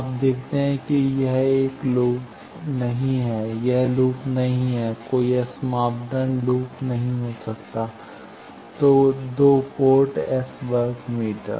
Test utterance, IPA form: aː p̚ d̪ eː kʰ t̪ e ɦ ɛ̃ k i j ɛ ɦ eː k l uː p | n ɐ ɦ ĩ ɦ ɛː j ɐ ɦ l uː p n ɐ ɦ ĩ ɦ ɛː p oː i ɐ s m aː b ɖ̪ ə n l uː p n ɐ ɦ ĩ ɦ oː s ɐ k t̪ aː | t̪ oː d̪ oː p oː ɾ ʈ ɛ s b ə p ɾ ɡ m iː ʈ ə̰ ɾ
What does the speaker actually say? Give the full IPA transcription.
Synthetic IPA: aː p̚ d̪ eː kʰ t̪ e ɦ ɛ̃ k i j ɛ ɦ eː k l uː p | n ɐ ɦ ĩ ɦ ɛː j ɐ ɦ l uː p n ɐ ɦ ĩ ɦ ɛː k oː i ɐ s m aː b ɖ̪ ə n l uː p n ɐ ɦ ĩ ɦ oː s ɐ k t̪ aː | t̪ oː d̪ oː p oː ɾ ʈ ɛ s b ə ɾ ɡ m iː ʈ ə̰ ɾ